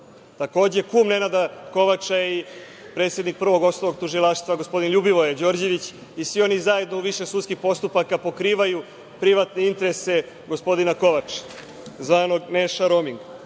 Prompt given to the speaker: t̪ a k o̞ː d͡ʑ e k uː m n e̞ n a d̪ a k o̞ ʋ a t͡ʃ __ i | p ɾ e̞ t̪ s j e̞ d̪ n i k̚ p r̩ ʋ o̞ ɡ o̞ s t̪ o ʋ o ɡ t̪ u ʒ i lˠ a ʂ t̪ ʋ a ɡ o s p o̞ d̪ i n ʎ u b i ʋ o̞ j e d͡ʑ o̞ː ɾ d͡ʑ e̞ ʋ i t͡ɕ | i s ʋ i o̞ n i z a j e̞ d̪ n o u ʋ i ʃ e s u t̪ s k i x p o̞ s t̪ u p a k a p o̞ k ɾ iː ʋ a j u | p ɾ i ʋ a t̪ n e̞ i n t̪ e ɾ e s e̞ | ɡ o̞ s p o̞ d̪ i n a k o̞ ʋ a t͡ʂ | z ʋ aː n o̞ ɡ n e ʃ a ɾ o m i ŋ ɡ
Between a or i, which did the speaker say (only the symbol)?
a